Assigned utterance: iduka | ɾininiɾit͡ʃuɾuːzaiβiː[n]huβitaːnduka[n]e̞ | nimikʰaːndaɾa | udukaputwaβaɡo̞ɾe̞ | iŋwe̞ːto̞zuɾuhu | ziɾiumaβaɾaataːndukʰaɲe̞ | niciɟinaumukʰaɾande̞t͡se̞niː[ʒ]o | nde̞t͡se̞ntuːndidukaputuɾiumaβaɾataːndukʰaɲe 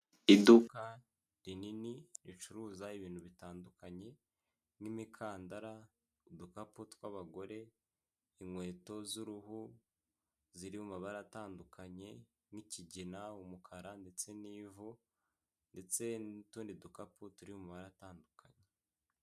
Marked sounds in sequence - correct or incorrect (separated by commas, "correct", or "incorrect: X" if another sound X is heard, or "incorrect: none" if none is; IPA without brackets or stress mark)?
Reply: correct, incorrect: ɲ, incorrect: v